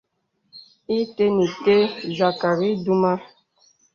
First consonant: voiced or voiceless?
voiceless